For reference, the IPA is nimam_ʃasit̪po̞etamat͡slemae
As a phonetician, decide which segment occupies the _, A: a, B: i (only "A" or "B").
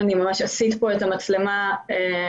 A